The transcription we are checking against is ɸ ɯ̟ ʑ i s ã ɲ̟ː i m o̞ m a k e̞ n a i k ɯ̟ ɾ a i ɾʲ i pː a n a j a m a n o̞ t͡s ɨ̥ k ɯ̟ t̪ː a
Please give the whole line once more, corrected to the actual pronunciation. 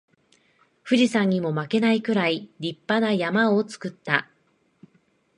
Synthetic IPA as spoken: ɸ ɯ̟ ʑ i s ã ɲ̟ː i m o̞ m a k e̞ n a i k ɯ̟ ɾ a i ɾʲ i pː a n a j a m a o̞ t͡s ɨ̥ k ɯ̟ t̪ː a